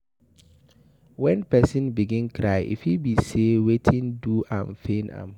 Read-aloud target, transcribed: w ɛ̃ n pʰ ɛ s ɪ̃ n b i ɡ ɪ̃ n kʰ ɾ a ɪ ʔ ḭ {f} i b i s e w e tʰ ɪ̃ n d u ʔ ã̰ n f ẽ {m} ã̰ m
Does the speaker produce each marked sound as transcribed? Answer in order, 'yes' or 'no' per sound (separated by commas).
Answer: yes, no